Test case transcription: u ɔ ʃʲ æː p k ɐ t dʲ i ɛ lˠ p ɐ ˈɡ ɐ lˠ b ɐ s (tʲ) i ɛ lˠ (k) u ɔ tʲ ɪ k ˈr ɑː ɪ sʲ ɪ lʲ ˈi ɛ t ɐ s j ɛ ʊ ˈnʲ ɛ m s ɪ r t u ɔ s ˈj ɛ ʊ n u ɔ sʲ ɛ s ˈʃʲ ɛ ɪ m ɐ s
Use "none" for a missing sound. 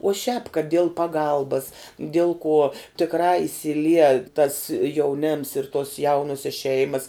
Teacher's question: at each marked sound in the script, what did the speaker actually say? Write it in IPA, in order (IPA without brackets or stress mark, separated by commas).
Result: dʲ, k